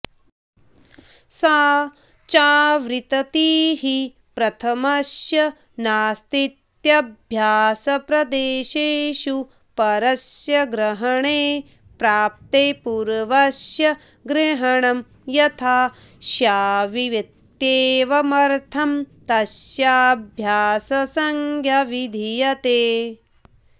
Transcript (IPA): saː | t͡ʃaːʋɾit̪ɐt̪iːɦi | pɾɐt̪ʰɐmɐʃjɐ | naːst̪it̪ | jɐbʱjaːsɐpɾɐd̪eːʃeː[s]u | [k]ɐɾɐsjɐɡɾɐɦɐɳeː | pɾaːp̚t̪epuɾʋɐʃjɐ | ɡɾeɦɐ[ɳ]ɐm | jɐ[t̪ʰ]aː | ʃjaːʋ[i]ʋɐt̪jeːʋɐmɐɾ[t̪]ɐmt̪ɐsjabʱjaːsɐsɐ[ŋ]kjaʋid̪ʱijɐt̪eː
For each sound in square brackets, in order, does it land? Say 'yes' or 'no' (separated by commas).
no, no, yes, yes, yes, no, yes